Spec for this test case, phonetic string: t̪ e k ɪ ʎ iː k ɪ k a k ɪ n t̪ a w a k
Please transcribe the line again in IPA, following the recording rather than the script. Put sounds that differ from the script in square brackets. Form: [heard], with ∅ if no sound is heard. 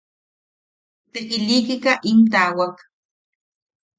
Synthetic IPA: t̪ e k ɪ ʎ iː k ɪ k a [ʔ] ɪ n t̪ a w a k